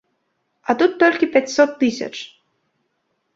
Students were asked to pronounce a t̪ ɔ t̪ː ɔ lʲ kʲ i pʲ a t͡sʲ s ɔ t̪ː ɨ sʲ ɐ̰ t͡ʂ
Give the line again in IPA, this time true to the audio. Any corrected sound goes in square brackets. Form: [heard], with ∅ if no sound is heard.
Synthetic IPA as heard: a t̪ [u] t̪ː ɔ lʲ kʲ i pʲ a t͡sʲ s ɔ t̪ː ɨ sʲ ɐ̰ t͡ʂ